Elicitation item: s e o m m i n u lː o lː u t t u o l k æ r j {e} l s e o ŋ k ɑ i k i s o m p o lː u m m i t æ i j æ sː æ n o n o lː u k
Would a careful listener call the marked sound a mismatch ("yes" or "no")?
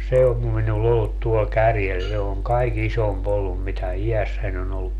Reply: no